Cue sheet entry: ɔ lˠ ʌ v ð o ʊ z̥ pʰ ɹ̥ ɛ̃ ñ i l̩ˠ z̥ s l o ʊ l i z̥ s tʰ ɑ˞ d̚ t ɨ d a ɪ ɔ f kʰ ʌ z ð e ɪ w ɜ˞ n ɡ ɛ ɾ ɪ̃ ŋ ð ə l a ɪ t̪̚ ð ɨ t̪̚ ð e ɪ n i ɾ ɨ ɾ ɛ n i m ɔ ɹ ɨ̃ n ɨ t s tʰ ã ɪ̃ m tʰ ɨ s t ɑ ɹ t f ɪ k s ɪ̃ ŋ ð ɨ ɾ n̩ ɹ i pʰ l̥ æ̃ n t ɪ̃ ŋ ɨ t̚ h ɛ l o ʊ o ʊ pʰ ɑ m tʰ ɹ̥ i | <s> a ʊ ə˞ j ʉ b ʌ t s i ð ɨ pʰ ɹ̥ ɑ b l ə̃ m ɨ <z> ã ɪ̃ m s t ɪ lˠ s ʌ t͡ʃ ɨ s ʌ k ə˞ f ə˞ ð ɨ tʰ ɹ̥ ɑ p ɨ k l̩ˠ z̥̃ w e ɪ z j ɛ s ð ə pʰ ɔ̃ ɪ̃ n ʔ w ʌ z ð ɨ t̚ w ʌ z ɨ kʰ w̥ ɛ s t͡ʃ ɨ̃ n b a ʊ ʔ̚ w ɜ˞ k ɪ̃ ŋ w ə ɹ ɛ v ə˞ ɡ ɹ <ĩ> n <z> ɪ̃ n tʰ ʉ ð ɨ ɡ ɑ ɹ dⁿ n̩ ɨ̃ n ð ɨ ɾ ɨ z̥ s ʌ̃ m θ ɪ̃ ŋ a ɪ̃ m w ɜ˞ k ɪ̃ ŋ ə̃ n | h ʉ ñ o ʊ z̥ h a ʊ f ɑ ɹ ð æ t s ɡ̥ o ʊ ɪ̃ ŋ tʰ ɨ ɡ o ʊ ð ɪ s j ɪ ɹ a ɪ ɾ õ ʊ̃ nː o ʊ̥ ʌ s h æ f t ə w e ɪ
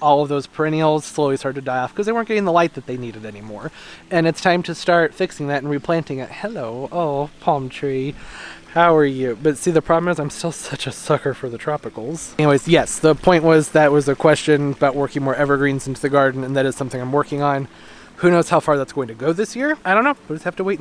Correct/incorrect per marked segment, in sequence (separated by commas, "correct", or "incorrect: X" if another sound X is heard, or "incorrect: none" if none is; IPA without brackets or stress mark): incorrect: h, correct, correct, correct